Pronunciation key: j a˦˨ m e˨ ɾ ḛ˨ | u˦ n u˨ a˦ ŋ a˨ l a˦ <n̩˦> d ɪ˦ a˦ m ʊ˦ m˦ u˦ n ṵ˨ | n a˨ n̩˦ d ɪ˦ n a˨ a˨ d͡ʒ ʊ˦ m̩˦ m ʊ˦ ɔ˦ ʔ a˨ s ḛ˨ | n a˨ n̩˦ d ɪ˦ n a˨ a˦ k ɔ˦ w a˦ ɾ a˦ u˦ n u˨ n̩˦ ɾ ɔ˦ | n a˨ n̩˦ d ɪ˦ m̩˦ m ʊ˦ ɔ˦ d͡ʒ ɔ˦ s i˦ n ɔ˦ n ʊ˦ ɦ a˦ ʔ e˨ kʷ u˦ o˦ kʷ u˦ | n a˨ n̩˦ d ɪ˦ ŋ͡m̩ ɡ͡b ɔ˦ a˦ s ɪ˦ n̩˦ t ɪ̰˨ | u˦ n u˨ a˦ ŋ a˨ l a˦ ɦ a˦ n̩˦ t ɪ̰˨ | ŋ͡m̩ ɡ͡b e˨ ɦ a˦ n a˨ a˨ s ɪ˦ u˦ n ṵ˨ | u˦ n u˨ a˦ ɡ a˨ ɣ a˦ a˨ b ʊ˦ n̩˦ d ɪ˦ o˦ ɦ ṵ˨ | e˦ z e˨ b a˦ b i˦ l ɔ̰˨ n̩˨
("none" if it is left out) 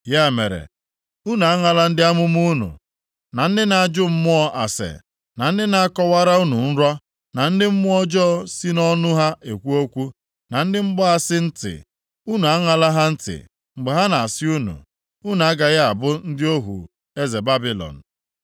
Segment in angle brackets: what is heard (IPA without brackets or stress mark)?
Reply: n̩˦